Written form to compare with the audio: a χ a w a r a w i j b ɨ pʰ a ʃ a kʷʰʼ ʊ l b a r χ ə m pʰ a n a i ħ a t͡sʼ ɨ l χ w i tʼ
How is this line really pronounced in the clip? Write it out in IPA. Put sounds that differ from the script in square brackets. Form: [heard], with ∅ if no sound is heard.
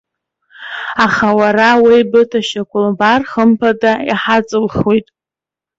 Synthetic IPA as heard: a χ a w a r a w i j b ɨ [tʰ] a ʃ a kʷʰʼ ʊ l b a r χ ə m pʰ a [d] a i ħ a t͡sʼ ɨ l χ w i tʼ